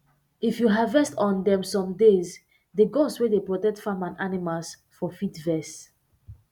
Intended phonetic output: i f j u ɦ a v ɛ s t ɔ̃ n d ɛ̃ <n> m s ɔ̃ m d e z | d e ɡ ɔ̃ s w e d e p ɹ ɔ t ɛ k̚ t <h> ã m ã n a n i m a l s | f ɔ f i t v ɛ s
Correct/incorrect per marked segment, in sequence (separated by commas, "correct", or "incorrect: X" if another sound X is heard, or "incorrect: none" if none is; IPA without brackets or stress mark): incorrect: none, incorrect: f